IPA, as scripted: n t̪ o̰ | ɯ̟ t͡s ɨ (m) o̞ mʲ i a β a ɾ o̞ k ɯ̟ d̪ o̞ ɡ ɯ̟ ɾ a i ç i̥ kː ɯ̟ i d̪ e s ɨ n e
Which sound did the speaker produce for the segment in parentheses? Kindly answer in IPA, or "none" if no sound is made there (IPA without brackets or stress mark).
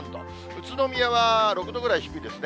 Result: n